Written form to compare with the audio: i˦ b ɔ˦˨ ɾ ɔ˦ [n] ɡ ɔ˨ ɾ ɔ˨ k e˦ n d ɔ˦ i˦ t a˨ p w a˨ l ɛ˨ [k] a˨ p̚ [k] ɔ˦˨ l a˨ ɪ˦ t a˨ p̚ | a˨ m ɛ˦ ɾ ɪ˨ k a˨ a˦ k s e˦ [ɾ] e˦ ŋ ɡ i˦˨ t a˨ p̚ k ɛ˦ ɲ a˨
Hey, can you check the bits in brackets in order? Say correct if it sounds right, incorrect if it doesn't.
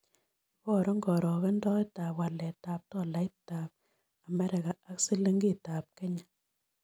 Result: incorrect: ŋ, incorrect: t, incorrect: t, incorrect: l

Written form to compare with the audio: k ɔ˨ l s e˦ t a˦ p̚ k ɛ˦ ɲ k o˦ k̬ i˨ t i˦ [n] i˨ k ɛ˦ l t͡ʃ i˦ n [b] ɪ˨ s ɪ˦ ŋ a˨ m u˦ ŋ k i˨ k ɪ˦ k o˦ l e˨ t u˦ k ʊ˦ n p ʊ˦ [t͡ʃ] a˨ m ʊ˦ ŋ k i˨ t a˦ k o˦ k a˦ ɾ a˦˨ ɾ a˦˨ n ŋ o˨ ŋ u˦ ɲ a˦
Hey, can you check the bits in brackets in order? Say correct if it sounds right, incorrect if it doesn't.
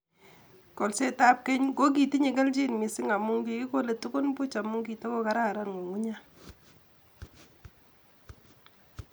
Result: incorrect: ɲ, incorrect: m, correct

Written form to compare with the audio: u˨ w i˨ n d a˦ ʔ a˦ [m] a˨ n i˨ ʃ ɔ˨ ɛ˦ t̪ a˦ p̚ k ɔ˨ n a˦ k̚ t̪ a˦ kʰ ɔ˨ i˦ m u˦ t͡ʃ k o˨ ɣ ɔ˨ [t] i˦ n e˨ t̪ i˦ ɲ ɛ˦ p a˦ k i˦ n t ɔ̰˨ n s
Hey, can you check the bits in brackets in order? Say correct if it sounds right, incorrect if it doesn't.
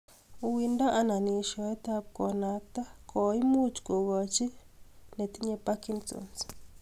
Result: incorrect: n, incorrect: t͡ʃ

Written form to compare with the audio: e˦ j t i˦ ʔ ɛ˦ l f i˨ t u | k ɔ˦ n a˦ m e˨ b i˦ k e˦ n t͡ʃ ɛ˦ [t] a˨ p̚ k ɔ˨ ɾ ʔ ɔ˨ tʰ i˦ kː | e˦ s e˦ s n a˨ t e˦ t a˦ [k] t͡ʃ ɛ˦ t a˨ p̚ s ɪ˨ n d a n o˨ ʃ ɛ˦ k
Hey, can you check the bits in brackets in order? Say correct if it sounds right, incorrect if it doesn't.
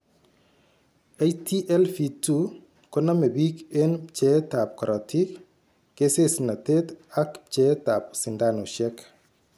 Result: correct, correct

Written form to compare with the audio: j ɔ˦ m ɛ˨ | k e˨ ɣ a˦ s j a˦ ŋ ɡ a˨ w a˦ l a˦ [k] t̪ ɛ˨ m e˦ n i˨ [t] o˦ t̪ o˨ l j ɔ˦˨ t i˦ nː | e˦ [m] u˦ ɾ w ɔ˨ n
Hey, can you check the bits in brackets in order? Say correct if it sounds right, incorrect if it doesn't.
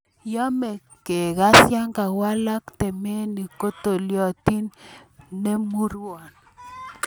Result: correct, incorrect: k, correct

